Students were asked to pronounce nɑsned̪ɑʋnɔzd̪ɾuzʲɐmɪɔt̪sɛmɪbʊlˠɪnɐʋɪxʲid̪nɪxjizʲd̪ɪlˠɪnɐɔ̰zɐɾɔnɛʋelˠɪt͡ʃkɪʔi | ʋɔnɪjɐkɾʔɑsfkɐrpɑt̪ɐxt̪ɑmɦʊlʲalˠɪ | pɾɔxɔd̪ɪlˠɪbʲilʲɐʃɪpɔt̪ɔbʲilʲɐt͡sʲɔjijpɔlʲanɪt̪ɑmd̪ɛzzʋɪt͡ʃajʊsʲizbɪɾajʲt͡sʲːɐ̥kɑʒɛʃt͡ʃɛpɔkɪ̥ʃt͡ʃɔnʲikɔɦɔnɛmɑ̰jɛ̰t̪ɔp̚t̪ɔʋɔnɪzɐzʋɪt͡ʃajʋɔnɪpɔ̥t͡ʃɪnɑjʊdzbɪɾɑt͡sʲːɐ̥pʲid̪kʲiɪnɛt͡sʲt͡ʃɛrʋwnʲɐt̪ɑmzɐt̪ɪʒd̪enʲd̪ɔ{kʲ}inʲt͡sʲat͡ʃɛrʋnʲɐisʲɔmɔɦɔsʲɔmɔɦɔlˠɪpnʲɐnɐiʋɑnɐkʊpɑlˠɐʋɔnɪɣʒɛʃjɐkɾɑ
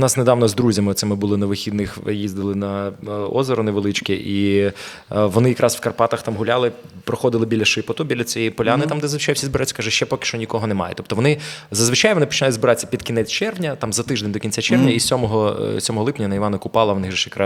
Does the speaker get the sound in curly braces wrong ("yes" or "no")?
no